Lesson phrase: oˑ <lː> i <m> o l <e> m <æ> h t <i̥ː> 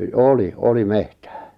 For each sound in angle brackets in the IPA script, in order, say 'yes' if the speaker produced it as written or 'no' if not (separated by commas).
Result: no, no, no, no, no